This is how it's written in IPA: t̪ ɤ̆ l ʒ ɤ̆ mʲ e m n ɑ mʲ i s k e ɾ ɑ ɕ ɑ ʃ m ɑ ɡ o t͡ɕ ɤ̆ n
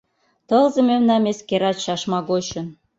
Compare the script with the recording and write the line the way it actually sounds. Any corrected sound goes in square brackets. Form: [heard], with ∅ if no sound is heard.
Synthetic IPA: t̪ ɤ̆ l [z] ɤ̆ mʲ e m n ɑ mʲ [e] s k e ɾ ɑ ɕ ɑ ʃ m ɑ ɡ o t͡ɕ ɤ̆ n